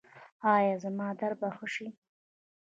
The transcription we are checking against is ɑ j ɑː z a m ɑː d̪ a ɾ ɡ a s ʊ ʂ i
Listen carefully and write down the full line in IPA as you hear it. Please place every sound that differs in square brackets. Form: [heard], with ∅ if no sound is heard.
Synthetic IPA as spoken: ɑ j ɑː z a m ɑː d̪ a ɾ [b] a [x] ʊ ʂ i